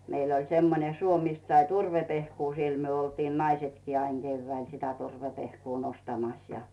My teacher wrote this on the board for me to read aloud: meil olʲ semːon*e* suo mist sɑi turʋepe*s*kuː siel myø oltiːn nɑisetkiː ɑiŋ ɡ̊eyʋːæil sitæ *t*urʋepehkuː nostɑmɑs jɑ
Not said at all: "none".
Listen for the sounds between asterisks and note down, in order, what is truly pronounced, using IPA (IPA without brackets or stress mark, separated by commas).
e, h, t